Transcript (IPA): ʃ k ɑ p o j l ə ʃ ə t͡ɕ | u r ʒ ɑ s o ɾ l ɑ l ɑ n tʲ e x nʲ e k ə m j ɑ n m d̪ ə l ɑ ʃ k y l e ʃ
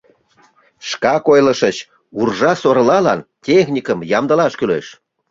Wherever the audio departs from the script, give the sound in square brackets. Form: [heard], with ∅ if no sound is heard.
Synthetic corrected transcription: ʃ k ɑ [k] o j l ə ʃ ə t͡ɕ | u r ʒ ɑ s o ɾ l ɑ l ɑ n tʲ e x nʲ [i] k ə m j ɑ [∅] m d̪ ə l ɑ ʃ k y l e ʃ